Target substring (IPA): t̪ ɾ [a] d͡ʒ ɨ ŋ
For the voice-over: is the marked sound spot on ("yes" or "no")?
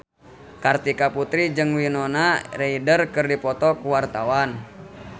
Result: no